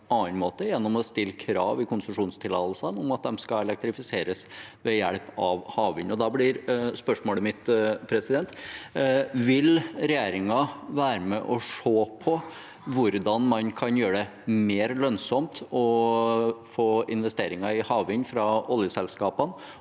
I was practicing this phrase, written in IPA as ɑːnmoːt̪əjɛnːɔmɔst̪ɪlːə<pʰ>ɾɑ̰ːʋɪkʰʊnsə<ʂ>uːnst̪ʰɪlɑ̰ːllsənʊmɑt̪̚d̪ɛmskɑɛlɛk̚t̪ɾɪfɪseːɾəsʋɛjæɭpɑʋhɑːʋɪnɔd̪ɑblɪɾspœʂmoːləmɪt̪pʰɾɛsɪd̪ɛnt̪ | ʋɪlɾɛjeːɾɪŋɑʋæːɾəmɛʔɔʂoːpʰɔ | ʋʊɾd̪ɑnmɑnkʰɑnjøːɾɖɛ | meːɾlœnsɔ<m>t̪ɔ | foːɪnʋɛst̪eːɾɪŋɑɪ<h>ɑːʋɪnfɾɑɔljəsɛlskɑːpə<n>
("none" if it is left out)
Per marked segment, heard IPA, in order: kʰ, ʂ, m, h, n

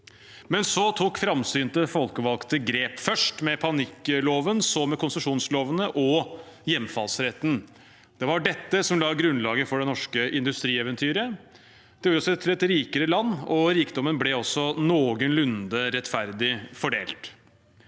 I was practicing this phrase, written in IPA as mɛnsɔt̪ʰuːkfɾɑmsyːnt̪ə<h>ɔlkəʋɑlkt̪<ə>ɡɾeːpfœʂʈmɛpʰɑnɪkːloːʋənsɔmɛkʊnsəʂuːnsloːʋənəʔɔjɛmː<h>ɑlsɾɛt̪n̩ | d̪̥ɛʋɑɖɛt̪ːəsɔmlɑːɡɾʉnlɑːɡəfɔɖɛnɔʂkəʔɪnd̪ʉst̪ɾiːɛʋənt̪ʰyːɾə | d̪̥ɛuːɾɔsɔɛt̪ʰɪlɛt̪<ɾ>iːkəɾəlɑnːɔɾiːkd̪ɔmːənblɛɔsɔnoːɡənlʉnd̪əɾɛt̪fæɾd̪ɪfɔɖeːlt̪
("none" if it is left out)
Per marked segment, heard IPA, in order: f, ə, f, ɾ

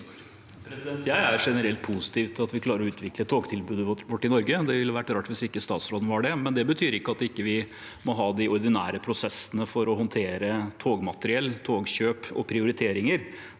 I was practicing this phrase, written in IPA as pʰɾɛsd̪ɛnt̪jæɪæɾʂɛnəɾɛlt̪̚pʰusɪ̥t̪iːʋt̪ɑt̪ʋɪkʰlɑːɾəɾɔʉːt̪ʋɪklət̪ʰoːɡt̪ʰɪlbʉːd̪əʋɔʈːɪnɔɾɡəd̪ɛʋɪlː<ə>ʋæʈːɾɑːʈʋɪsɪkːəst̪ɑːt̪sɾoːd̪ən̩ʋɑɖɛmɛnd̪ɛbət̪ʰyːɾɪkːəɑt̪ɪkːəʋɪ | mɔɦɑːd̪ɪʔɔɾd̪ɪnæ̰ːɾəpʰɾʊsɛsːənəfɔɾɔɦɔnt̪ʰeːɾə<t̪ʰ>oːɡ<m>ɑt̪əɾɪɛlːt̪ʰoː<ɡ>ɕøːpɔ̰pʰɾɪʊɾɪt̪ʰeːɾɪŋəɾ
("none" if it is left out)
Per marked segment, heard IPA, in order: ə, t̪ʰ, m, ɡ

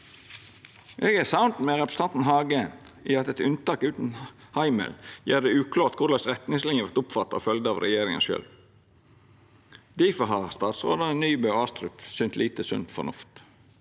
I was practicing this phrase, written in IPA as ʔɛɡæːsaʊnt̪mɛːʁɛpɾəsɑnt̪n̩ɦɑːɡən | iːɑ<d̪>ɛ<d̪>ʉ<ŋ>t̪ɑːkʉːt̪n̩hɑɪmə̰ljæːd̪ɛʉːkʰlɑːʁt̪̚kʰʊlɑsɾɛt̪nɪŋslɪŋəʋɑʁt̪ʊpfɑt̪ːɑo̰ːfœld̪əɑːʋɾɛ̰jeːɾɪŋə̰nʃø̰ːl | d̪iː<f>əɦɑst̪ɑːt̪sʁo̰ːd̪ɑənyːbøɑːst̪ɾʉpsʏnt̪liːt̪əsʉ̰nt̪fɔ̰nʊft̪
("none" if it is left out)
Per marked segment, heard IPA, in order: t̪, t̪, n, f

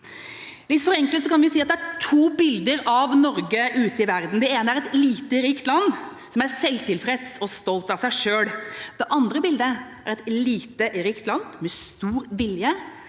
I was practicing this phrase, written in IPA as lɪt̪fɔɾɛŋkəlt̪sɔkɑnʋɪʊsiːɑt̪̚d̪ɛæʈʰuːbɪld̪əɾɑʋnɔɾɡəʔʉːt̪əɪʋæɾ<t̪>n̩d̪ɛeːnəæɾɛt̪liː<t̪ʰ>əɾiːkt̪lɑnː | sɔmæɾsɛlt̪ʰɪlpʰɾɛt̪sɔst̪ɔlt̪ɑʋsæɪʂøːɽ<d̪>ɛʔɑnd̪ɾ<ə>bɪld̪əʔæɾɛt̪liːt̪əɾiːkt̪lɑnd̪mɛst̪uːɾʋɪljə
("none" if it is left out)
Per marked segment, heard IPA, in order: d̪, t̪, d̪, ə

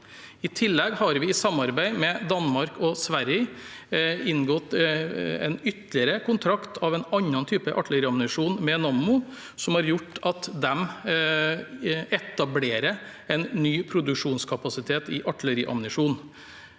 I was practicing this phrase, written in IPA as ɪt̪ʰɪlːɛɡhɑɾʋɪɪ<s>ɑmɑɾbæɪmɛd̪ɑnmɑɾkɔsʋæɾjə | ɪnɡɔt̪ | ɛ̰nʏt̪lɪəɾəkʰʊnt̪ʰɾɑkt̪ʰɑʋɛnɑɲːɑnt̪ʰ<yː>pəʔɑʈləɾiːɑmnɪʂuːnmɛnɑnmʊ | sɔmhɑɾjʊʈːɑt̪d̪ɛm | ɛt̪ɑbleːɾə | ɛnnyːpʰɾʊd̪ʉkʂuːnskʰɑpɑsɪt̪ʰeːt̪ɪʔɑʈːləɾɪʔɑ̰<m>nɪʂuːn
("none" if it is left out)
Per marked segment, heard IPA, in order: s, yː, m

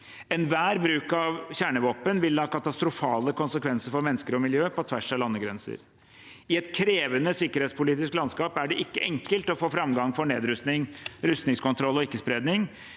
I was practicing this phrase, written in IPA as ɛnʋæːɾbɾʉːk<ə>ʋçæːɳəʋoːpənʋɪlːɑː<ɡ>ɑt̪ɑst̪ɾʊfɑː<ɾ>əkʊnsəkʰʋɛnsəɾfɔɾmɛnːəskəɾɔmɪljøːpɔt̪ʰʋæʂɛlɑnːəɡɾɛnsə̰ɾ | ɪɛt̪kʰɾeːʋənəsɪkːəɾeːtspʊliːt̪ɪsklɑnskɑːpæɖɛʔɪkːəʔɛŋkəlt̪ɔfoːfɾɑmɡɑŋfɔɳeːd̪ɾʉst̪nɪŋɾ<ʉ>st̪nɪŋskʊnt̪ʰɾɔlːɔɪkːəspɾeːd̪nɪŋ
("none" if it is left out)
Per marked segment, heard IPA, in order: ɑ, k, l, ʉ

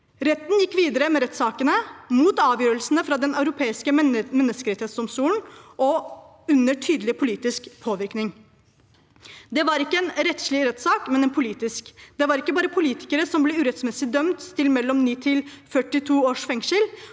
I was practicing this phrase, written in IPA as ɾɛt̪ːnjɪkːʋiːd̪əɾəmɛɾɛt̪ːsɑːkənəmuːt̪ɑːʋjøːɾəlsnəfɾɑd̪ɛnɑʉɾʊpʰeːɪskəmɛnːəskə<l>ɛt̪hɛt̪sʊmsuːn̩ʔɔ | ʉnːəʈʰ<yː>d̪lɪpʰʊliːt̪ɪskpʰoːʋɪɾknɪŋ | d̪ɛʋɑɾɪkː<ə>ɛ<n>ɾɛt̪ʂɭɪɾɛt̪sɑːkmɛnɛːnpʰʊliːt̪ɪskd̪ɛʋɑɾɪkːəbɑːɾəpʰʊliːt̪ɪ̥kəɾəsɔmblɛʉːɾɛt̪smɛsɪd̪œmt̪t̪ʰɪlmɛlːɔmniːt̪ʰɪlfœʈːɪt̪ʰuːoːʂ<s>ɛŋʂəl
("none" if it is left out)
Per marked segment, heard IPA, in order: ɾ, yː, ə, n, f

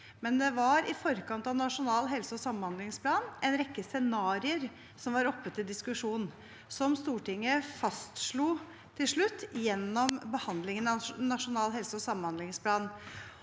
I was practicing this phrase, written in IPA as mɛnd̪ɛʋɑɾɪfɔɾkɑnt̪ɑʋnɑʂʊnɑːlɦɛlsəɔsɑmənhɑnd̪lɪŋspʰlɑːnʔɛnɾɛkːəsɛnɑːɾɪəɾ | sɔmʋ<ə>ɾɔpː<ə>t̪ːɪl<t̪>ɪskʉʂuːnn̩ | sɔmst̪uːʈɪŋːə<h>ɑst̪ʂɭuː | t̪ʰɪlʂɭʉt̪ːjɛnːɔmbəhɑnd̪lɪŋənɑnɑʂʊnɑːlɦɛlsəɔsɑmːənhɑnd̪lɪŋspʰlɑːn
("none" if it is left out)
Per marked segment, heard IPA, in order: ɑ, ə, d̪, f

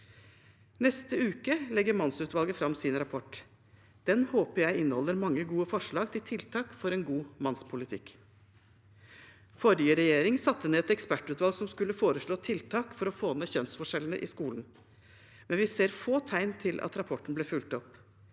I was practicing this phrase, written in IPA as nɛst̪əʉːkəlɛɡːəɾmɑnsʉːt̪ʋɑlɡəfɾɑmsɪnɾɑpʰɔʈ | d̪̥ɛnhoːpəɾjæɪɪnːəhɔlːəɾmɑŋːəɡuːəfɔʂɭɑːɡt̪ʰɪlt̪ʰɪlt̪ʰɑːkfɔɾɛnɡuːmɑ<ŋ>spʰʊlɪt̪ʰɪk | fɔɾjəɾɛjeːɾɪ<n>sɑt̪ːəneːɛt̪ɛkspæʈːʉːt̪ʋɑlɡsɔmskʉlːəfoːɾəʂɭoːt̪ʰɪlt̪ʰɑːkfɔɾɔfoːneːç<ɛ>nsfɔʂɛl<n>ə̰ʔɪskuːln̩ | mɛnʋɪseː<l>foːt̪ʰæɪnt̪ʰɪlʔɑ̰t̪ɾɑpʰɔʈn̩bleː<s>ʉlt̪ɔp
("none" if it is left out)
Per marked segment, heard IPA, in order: n, ŋ, œ, n, ɾ, f

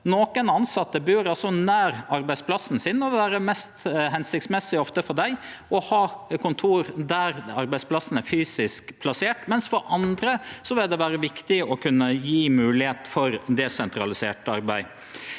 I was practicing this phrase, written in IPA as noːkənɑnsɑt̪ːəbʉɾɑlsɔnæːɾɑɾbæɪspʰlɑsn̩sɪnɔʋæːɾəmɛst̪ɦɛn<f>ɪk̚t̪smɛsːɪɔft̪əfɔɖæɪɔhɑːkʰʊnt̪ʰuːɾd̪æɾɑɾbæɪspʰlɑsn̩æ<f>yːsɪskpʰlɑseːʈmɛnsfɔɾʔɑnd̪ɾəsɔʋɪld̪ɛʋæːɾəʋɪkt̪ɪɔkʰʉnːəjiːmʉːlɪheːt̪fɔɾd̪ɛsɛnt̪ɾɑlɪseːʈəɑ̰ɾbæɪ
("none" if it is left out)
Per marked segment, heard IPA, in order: s, f

